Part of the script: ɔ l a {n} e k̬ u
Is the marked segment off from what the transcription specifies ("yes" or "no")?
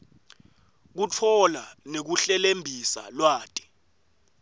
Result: no